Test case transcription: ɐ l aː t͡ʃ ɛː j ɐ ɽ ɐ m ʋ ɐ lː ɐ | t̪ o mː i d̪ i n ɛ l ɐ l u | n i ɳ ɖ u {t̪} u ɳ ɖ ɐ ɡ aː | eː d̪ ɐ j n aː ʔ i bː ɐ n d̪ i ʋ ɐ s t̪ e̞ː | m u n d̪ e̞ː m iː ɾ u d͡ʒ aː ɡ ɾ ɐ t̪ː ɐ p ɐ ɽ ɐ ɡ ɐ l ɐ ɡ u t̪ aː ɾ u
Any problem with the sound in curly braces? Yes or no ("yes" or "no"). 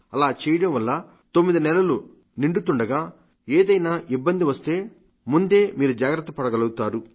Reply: no